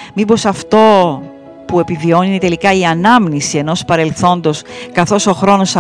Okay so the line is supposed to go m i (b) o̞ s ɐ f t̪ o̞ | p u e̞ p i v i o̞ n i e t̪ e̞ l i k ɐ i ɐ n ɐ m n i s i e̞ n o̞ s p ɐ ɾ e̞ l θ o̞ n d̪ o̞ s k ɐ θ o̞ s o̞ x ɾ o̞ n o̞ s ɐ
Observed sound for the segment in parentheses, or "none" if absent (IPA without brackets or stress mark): b